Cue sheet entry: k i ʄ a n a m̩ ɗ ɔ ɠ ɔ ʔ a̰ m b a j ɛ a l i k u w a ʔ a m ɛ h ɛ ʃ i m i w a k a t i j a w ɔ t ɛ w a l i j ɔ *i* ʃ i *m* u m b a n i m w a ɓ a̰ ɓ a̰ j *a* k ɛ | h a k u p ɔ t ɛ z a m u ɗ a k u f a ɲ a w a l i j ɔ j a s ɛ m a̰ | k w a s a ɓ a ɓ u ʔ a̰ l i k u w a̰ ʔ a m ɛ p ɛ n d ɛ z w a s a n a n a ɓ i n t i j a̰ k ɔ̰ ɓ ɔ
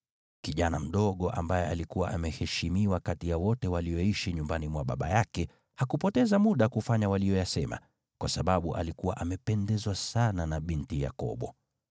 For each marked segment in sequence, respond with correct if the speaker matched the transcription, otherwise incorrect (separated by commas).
correct, incorrect, correct